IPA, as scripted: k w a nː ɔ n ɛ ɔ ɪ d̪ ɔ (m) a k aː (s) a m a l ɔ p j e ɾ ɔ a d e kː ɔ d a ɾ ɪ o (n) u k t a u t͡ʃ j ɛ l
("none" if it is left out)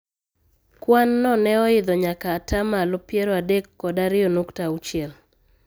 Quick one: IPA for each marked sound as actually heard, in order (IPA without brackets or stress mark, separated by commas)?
ɲ, t, n